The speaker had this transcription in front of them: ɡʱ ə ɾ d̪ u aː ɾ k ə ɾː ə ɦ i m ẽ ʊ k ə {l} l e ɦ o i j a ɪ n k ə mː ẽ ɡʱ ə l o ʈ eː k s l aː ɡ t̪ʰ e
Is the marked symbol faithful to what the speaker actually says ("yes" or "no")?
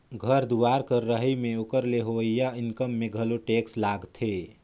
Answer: no